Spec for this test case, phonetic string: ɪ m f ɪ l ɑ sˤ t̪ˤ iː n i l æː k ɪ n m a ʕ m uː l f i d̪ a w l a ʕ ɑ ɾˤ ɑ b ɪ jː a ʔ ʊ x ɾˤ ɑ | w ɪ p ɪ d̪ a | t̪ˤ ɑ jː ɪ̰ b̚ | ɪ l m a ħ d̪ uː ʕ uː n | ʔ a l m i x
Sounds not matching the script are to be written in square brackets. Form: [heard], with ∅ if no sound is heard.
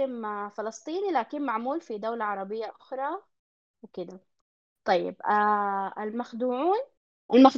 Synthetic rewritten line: ɪ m f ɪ l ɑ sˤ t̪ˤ iː n i l [aː] k ɪ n m a ʕ m uː l f i d̪ a w l a ʕ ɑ ɾˤ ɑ b ɪ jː a ʔ ʊ x ɾˤ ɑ | w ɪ [k] ɪ d̪ a | t̪ˤ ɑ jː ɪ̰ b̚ | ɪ l m a [x] d̪ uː ʕ uː n | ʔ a l m [a] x